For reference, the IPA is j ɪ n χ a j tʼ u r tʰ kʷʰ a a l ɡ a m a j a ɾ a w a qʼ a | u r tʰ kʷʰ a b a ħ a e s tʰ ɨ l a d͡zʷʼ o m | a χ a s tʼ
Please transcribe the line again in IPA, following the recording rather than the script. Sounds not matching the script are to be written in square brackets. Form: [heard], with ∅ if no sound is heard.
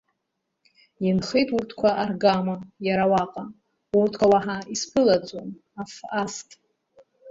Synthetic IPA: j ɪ n χ [e] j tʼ u r tʰ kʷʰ a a [r] ɡ a m a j a ɾ a w a qʼ a | u r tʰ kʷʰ a [w] a ħ a [i] s [pʰ] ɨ l a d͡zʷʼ o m | a [f] a s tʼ